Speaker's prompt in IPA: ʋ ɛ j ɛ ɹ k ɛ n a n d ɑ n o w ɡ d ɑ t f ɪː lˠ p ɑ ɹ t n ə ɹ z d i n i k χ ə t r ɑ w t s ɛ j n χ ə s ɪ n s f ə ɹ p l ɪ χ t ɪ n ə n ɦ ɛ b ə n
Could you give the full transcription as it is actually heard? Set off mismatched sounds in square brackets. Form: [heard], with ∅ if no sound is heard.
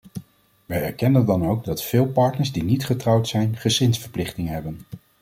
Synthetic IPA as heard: ʋ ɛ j ɛ ɹ k ɛ n [ə] n d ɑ n o w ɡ d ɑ t f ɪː lˠ p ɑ ɹ t n ə ɹ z d i n i [t] χ ə t r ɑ w t s ɛ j n χ ə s ɪ n s f ə ɹ p l ɪ χ t ɪ [ŋ] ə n ɦ ɛ b ə n